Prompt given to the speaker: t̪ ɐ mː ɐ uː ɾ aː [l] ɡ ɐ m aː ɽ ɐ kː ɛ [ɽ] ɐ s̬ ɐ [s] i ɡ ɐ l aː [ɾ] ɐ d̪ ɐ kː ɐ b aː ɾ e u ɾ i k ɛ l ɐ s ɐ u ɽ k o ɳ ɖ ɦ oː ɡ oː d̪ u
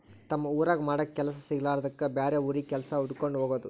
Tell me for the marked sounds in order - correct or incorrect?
incorrect, incorrect, correct, correct

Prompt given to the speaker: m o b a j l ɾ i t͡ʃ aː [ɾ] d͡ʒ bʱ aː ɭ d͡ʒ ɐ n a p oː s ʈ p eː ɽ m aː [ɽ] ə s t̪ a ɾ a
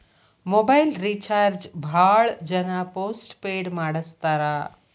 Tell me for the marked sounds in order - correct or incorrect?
correct, correct

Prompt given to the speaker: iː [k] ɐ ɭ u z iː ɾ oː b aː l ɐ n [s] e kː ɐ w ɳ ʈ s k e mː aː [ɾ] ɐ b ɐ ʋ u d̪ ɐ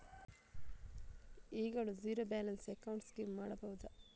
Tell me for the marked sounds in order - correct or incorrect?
incorrect, correct, incorrect

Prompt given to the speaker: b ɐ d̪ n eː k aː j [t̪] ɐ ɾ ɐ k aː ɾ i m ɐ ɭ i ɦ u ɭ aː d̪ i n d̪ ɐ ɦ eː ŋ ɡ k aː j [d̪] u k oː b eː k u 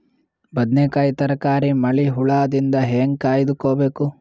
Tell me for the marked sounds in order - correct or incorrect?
correct, correct

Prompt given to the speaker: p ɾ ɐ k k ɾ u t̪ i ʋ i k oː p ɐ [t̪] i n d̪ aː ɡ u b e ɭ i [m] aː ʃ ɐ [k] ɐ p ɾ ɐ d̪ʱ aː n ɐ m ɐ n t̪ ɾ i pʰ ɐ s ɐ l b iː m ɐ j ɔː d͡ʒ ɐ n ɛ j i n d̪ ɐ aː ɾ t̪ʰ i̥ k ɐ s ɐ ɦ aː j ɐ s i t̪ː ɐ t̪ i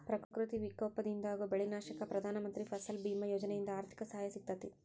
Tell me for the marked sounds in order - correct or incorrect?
incorrect, incorrect, correct

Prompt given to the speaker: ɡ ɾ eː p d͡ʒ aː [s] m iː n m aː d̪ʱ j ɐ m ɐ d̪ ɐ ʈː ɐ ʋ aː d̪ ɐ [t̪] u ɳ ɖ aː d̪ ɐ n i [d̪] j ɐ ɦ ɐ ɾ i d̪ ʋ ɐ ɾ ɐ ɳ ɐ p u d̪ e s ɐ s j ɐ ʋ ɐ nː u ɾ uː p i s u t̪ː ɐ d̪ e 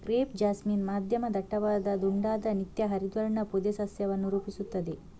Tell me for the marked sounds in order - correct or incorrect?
correct, incorrect, incorrect

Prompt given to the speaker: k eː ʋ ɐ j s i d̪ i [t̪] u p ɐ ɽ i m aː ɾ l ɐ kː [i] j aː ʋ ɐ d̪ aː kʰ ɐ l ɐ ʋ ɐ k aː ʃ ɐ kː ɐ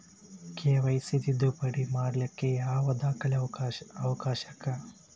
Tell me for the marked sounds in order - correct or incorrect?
incorrect, incorrect

